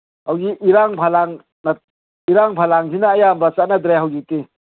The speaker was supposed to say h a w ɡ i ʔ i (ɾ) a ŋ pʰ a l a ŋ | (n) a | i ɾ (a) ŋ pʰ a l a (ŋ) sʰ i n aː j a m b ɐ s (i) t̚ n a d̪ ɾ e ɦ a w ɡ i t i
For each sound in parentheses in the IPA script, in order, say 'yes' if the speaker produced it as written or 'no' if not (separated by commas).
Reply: yes, yes, yes, yes, no